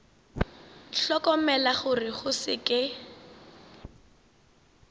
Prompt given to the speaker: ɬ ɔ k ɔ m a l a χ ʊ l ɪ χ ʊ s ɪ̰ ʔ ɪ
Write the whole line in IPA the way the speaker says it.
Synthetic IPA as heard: ɬ ɔ k ɔ m ɛ l a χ ʊ r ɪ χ ʊ s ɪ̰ k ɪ